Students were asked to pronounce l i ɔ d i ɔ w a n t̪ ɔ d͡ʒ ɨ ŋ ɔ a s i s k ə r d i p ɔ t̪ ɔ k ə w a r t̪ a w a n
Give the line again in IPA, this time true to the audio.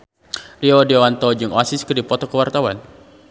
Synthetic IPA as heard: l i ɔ d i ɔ w a n t̪ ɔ d͡ʒ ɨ ŋ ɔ a s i s k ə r d i p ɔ t̪ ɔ k ə w a r t̪ a w a n